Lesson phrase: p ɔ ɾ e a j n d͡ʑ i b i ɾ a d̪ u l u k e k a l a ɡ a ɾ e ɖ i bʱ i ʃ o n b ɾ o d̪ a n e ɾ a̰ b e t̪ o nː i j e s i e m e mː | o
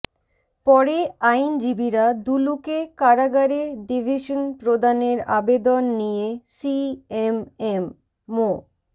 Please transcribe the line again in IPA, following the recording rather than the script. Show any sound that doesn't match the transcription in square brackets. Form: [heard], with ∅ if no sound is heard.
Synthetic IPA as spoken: p ɔ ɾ e a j n d͡ʑ i b i ɾ a d̪ u l u k e k a [ɾ] a ɡ a ɾ e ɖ i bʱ i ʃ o n [p] ɾ o d̪ a n e ɾ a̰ b e [d̪] o nː i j e s i e m e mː | o